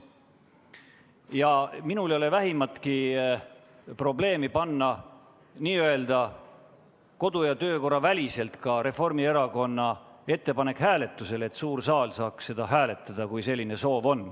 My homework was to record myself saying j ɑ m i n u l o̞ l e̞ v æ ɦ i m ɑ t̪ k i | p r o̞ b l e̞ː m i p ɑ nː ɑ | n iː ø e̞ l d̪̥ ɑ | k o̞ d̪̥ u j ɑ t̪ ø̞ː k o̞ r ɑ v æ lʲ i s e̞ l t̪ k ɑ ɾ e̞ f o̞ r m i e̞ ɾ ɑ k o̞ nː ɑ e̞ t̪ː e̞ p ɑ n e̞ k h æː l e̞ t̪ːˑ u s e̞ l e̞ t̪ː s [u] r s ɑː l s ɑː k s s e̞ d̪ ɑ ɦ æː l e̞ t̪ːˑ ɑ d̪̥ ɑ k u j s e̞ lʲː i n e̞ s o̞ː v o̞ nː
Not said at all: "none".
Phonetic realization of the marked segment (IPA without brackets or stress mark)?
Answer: uː